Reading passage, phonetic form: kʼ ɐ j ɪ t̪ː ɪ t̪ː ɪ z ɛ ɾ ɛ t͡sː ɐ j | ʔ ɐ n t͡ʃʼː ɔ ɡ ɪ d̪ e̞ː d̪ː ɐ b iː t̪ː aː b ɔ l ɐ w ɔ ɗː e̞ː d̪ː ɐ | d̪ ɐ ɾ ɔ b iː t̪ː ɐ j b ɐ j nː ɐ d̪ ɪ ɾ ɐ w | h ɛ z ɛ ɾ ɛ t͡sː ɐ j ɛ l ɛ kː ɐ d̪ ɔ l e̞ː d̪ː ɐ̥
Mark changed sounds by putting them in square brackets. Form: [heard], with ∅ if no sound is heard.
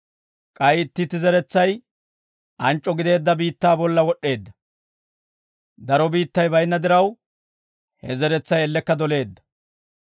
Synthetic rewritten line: kʼ ɐ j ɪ t̪ː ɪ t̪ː ɪ z ɛ ɾ ɛ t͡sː ɐ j | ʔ ɐ n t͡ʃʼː ɔ ɡ ɪ d̪ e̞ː d̪ː ɐ b iː t̪ː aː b ɔ [lː] ɐ w ɔ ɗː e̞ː d̪ː ɐ | d̪ ɐ ɾ ɔ b iː t̪ː ɐ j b ɐ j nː ɐ d̪ ɪ ɾ ɐ w | h ɛ z ɛ ɾ ɛ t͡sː ɐ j ɛ [lː] ɛ kː ɐ d̪ ɔ l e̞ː d̪ː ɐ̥